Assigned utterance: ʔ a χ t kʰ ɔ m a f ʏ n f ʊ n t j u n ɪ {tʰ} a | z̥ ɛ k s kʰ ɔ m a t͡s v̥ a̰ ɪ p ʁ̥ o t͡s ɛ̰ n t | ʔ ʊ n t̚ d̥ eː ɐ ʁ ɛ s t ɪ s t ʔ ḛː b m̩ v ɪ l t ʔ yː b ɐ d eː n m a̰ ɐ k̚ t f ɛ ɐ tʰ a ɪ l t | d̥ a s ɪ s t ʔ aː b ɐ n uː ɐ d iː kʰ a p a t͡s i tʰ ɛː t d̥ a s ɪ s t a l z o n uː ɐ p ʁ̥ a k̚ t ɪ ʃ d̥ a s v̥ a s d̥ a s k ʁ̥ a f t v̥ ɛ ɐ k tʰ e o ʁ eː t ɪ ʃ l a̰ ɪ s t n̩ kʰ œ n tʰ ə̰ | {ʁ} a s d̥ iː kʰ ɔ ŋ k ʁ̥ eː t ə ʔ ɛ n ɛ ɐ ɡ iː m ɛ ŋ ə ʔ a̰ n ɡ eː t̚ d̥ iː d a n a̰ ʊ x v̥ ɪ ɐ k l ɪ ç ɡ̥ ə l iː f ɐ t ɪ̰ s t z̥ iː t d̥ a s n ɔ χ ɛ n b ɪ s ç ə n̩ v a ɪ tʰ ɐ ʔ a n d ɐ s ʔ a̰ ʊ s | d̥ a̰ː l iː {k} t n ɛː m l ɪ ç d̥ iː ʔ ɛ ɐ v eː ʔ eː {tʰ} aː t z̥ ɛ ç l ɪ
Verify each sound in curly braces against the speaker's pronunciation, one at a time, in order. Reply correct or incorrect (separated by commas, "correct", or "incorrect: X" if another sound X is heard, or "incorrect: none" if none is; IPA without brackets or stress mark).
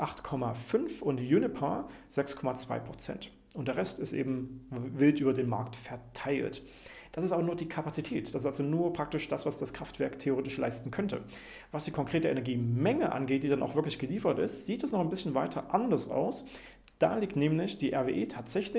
incorrect: pʰ, incorrect: v, correct, correct